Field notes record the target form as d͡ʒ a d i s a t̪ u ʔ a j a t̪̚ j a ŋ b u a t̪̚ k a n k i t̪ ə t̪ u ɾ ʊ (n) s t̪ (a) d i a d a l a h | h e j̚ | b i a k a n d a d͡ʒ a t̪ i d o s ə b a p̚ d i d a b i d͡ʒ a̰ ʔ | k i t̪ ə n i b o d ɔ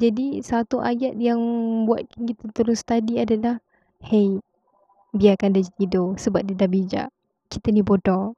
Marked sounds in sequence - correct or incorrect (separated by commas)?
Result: correct, correct